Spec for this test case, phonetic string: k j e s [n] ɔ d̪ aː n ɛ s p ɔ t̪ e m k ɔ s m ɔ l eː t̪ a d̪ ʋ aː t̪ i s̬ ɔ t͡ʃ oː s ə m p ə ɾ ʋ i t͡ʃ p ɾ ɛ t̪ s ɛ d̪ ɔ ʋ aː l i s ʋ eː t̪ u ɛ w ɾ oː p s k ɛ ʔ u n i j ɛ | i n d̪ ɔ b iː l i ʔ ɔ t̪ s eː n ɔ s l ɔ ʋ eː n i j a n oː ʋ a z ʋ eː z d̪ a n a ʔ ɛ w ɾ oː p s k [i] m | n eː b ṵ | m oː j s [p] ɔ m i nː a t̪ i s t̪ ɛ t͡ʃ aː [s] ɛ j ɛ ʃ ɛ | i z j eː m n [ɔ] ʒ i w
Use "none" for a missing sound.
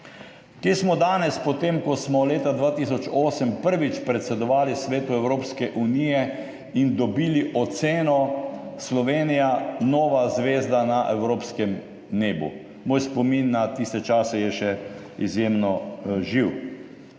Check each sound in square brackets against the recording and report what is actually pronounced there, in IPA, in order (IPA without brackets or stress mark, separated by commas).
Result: m, ɛ, p, s, ɔ